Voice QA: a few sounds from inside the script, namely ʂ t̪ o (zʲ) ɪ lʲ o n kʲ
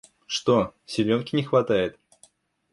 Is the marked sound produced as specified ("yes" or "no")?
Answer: no